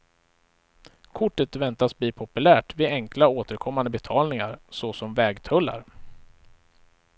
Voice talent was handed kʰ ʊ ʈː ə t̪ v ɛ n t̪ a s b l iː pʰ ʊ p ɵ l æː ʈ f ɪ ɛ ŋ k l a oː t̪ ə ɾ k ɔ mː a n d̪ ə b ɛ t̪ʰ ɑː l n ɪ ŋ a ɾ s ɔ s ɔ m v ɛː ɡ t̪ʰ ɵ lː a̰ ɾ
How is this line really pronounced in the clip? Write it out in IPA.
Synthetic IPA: kʰ ʊ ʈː ə t̪ v ɛ n t̪ a s b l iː pʰ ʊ p ɵ l æː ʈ v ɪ ɛ ŋ k l a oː t̪ ə ɾ kʰ ɔ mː a n d̪ ə b ɛ t̪ʰ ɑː l n ɪ ŋ a ɾ s ɔ s ɔ m v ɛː ɡ t̪ʰ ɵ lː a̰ ɾ